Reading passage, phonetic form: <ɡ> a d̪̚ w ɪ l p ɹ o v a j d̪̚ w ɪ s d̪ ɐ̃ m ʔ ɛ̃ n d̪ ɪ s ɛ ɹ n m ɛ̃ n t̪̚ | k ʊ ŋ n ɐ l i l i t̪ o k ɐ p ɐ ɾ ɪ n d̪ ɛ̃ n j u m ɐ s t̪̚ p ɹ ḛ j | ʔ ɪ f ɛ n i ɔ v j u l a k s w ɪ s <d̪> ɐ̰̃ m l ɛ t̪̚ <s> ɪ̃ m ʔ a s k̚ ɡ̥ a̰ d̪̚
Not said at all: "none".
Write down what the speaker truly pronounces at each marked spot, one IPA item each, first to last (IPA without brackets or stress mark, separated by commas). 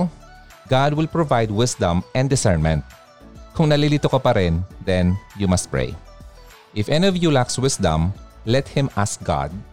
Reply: ɡ, d̪, h